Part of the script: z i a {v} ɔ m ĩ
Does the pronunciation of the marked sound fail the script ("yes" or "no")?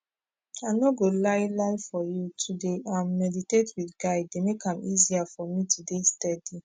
yes